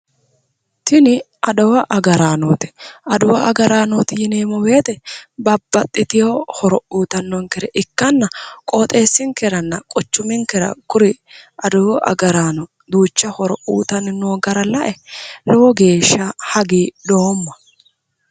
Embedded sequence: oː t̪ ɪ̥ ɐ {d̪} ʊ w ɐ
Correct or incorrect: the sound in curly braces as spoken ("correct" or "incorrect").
correct